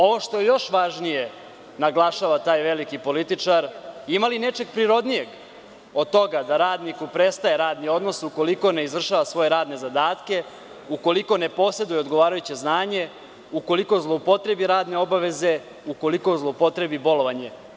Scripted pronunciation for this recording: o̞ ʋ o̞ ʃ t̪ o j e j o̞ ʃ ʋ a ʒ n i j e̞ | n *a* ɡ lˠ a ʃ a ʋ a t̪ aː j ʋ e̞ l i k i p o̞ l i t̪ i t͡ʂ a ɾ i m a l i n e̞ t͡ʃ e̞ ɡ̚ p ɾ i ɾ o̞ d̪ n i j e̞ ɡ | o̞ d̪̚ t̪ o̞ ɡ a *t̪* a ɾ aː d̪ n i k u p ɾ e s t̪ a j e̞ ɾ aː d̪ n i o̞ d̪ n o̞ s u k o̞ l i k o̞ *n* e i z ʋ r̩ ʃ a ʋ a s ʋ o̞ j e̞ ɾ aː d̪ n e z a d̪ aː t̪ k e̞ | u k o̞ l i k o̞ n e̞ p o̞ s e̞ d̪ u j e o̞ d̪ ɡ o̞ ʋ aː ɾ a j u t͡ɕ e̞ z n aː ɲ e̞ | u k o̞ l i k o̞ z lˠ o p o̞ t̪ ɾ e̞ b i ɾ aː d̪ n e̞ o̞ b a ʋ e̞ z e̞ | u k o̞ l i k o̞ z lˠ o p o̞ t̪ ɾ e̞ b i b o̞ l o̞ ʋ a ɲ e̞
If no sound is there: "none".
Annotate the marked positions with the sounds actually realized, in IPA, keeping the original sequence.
a, d̪, n

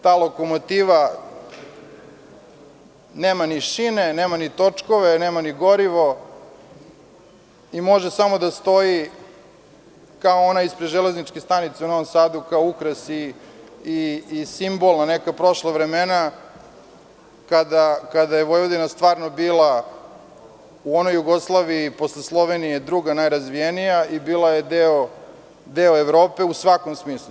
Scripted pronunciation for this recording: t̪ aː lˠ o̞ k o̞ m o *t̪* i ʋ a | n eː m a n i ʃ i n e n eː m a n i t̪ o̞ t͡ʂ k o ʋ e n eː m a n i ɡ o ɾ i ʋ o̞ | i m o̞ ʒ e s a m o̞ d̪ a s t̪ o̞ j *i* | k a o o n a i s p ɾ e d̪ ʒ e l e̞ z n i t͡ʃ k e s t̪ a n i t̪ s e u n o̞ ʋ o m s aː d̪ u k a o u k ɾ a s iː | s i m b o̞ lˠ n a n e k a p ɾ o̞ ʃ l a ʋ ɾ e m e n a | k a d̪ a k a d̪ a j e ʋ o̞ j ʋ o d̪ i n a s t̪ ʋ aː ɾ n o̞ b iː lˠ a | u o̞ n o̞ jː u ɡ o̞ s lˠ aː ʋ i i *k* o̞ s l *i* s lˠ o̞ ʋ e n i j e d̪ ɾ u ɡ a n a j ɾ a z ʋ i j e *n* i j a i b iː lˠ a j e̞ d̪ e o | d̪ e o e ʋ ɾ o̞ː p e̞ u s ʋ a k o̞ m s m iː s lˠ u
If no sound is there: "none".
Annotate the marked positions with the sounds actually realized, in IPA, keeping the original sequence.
t̪, i, p, e, n

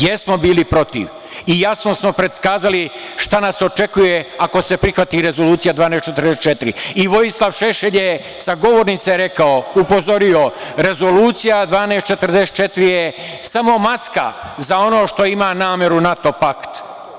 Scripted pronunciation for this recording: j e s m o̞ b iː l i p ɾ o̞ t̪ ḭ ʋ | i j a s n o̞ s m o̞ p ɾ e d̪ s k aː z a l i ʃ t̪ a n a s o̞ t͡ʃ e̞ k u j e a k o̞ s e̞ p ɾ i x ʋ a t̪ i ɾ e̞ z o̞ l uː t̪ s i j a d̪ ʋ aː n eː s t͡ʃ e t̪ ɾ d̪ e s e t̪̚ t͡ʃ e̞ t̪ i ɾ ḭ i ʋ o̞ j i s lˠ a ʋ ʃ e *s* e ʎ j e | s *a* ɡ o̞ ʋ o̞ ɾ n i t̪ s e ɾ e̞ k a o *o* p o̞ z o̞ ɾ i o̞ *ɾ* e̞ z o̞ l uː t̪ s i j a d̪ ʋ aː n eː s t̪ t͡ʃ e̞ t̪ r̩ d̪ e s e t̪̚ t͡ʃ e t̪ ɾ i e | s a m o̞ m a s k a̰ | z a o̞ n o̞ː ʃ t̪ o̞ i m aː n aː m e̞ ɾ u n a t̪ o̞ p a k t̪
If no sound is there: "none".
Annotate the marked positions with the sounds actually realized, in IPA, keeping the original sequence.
ʃ, a, u, ɾ

